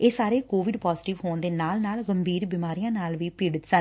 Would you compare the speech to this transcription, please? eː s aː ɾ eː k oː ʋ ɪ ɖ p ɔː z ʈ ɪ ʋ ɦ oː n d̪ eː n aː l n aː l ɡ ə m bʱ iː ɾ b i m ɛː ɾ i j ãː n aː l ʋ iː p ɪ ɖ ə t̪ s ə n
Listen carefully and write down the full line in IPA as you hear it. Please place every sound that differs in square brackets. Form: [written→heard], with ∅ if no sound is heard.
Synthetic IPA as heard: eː s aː ɾ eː k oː ʋ ɪ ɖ p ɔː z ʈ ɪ ʋ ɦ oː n d̪ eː n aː l n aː l ɡ ə m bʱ iː ɾ b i m [ɛː→aː] ɾ i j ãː n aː l ʋ iː p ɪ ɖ ə t̪ s ə n